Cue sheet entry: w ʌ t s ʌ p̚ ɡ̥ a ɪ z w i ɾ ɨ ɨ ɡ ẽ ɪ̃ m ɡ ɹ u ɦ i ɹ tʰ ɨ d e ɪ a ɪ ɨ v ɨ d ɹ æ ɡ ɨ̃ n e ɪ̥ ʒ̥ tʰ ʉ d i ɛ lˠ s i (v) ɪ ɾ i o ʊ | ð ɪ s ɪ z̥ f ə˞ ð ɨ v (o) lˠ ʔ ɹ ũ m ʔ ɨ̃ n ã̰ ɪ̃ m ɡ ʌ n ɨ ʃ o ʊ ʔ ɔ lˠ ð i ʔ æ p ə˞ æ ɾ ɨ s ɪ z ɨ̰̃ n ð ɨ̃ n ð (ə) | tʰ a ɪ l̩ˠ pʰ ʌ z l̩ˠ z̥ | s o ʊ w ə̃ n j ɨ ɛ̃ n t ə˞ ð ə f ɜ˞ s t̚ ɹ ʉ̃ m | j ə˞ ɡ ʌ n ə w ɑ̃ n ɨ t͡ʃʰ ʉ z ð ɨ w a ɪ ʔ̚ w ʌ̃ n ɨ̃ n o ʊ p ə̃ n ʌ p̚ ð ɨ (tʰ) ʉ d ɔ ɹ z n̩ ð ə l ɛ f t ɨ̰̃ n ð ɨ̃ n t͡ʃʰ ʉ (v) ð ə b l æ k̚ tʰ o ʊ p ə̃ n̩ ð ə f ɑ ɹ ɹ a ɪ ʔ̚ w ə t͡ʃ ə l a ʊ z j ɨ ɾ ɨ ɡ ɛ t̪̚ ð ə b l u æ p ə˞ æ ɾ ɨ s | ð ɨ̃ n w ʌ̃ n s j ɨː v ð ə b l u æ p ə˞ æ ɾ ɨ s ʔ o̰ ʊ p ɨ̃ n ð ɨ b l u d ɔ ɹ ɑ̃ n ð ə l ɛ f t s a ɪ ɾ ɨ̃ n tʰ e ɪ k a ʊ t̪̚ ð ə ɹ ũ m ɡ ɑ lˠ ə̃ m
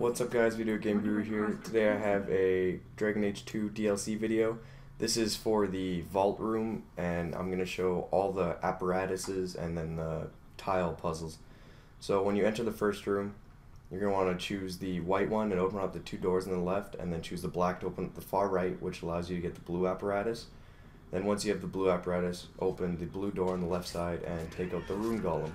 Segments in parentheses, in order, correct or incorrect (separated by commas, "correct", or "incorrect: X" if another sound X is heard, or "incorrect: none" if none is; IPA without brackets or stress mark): correct, incorrect: ɔ, correct, correct, incorrect: z